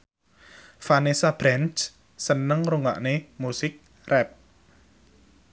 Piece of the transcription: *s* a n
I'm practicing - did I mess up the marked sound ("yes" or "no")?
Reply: yes